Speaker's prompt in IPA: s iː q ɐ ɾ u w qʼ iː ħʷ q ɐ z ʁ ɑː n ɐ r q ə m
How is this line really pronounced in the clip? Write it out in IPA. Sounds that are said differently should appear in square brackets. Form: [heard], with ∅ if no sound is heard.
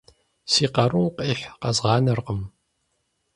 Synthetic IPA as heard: s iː q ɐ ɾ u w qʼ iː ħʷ q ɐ z ʁ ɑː n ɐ r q ə m